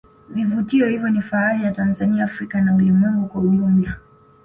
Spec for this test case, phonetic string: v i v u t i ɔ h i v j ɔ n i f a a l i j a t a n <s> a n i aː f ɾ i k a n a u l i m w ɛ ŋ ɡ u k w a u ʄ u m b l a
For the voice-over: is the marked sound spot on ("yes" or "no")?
no